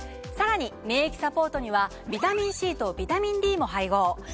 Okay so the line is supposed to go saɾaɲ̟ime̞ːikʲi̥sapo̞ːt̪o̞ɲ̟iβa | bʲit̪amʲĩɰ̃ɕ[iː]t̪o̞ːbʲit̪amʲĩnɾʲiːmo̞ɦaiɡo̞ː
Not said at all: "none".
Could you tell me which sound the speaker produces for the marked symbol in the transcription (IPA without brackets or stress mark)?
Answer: iː